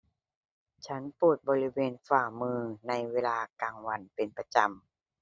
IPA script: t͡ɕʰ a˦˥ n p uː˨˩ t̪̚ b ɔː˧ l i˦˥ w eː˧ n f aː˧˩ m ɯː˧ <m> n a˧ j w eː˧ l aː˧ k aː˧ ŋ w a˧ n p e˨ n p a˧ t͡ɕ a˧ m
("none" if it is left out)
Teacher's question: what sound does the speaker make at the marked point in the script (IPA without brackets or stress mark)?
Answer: none